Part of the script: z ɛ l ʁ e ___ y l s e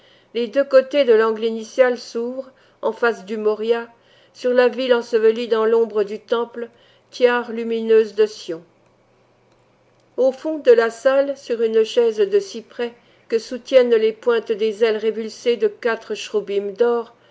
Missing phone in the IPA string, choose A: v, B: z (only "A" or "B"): A